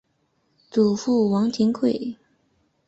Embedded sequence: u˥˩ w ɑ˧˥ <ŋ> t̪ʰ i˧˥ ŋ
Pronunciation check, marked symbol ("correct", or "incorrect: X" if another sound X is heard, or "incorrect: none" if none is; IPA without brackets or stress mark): correct